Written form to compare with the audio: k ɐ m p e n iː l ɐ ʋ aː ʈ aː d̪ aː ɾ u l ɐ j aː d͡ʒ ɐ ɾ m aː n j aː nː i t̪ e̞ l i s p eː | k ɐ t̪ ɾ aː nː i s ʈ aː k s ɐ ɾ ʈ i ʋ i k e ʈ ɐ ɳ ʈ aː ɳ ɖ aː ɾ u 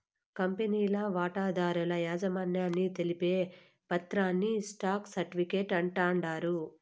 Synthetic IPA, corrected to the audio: k ɐ m p e n iː l ɐ ʋ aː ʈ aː d̪ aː ɾ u l ɐ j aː d͡ʒ ɐ m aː n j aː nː i t̪ e̞ l i p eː | p ɐ t̪ ɾ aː nː i s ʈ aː k s ɐ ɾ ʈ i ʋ i k e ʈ ɐ ɳ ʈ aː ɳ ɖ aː ɾ u